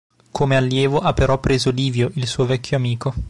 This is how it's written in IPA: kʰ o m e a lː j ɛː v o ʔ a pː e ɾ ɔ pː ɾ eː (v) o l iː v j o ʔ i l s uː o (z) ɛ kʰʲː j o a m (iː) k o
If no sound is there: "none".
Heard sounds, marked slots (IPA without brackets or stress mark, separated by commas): z, v, iː